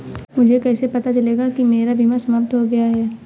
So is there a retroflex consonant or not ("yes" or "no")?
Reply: no